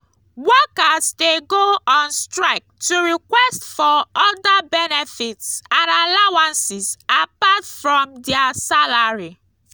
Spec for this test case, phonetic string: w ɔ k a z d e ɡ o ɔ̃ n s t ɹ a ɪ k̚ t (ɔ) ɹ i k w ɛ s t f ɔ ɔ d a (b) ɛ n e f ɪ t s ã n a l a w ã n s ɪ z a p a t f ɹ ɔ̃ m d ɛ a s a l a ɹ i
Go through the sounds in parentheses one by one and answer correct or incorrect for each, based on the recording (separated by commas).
incorrect, correct